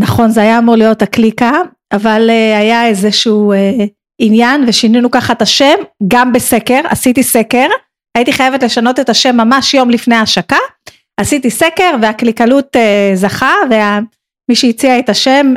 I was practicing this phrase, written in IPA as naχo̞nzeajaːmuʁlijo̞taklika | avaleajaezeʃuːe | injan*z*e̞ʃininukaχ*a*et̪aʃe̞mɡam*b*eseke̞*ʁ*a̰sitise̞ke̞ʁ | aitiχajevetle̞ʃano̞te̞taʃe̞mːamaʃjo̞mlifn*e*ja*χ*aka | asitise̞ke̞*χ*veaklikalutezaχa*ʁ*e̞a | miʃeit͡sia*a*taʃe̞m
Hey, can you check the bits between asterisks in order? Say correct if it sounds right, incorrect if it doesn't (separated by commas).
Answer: incorrect, correct, correct, correct, correct, incorrect, incorrect, incorrect, incorrect